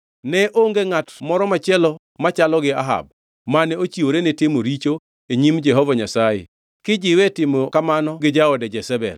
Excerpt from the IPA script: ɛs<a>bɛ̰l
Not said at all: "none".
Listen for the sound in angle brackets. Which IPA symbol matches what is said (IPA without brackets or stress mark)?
ɛ